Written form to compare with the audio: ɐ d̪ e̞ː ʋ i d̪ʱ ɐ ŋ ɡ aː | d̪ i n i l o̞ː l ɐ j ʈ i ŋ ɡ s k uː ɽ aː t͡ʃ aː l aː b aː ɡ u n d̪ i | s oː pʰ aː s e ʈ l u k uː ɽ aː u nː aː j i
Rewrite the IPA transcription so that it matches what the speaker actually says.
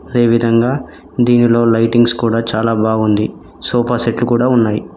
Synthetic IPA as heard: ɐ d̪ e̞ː ʋ i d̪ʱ ɐ ŋ ɡ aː | d̪ iː n i l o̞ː l ɐ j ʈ i ŋ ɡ s k uː ɽ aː t͡ʃ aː l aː b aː ɡ u n d̪ i | s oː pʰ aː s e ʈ l u k uː ɽ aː u nː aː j i